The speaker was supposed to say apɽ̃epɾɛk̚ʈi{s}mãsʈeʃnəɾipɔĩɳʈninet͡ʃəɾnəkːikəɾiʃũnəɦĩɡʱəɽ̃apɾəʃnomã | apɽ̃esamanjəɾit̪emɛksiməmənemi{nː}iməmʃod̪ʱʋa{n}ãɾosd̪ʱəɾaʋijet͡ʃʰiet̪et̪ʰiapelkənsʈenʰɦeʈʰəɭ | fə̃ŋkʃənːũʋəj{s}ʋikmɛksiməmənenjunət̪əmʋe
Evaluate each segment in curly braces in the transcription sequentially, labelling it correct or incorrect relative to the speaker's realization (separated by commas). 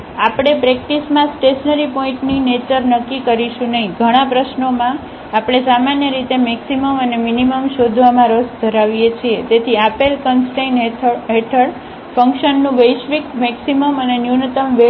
correct, incorrect, incorrect, incorrect